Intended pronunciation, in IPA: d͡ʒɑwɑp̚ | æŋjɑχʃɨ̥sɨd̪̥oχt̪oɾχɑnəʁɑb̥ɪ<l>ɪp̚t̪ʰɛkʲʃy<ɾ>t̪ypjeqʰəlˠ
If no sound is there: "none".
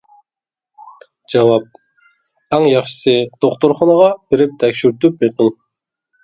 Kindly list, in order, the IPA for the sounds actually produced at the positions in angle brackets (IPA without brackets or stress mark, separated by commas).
ɾ, ɾ